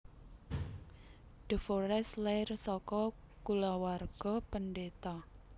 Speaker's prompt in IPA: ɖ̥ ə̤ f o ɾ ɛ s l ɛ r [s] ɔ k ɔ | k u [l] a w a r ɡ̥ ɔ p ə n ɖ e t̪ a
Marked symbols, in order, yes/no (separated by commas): yes, yes